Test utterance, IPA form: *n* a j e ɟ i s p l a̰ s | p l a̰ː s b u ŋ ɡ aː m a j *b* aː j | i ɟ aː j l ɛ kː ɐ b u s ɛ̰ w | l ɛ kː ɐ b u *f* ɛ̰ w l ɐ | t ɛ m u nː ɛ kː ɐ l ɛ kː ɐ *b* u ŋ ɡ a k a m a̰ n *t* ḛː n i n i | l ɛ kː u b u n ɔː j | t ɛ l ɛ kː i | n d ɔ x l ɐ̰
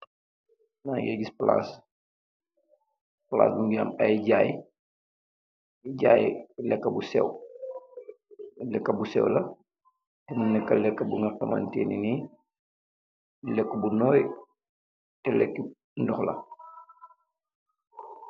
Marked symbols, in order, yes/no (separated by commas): yes, no, no, yes, yes